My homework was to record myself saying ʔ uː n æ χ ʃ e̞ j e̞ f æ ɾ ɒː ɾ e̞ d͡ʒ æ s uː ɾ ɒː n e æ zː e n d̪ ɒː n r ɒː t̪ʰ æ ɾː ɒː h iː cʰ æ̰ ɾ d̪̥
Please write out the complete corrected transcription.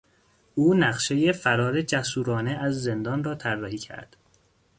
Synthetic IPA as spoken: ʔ uː n æ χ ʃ e̞ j e̞ f æ ɾ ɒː ɾ e̞ d͡ʒ æ s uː ɾ ɒː n e æ zː e n d̪ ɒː n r ɒː t̪ʰ æ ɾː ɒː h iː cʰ æ̰ ɾ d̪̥